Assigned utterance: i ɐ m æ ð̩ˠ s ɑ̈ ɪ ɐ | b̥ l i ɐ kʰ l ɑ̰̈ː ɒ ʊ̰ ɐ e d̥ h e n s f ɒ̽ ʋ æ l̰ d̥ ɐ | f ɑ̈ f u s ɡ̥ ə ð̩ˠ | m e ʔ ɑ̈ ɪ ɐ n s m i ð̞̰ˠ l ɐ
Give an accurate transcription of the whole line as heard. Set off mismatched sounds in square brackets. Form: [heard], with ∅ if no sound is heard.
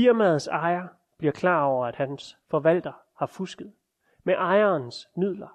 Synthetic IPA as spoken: i ɐ m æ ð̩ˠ s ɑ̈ ɪ ɐ | b̥ l i ɐ kʰ l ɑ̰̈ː ɒ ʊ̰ ɐ [æ] d̥ h [æ] n s f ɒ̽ ʋ æ l̰ d̥ ɐ | [h] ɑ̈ f u s ɡ̥ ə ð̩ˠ | m e ʔ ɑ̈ ɪ ɐ n s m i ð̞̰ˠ l ɐ